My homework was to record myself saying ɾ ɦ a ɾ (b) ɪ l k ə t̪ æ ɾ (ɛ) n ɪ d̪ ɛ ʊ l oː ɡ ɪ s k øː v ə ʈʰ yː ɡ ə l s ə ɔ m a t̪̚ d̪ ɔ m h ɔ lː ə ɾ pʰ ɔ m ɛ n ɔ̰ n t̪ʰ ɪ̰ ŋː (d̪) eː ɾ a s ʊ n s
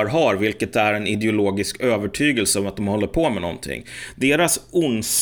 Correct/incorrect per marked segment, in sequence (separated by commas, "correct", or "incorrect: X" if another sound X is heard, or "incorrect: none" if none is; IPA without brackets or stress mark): incorrect: v, correct, correct